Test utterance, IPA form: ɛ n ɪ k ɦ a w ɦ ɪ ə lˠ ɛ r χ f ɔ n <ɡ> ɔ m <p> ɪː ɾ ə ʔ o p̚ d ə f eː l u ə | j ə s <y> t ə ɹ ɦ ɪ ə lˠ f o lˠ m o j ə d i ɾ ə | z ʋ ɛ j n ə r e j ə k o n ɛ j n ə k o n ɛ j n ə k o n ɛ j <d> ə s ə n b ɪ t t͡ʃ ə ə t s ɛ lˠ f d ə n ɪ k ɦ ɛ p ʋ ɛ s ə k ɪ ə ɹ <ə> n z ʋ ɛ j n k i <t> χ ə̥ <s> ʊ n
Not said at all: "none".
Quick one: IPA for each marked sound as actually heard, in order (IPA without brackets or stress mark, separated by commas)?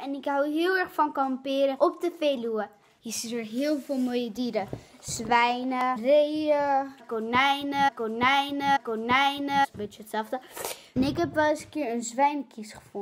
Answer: k, p, i, n, ə, s, f